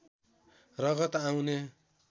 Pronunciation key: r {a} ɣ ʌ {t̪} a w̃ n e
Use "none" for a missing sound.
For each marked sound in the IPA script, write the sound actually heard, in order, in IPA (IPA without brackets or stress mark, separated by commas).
ʌ, t̪